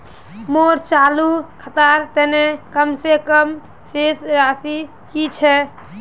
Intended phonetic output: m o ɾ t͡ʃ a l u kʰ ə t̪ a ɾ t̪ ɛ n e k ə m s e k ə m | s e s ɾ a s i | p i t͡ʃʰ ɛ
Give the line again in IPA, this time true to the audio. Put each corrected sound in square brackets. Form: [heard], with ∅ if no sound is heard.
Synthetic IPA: m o ɾ t͡ʃ a l u kʰ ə t̪ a ɾ t̪ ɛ n e k ə m s e k ə m | s e s ɾ a s i | [k] i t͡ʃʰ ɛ